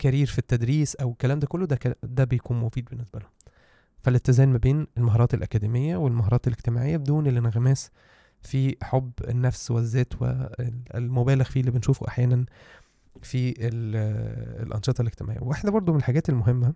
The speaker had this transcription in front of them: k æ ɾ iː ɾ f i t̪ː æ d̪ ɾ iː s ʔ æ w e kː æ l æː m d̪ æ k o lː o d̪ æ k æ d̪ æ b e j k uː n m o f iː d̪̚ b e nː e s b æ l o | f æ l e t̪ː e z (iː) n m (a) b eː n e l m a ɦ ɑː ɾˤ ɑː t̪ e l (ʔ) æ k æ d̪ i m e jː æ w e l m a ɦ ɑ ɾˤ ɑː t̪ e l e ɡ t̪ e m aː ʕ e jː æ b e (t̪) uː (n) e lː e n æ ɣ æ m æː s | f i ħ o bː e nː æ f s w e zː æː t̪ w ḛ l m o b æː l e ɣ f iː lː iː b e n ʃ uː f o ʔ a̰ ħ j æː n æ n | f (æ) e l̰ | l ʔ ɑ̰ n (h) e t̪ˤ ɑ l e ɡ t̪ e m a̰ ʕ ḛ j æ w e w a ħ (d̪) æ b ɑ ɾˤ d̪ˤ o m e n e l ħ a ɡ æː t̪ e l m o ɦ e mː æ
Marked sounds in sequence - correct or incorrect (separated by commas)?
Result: incorrect, incorrect, correct, incorrect, correct, incorrect, incorrect, correct